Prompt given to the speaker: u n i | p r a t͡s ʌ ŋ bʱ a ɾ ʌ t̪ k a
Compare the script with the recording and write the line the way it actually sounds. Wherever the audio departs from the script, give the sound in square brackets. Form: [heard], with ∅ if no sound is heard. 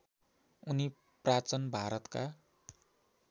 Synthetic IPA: u n i | p r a t͡s ʌ [n] bʱ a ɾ ʌ t̪ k a